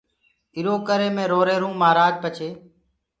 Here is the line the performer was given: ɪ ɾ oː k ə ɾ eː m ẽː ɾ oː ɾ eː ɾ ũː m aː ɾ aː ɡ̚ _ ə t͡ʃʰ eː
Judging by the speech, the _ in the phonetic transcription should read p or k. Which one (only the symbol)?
p